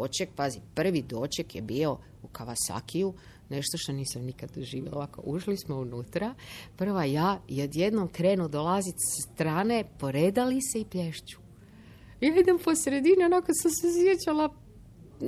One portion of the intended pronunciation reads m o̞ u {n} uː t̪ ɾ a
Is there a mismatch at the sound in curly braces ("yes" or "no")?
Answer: no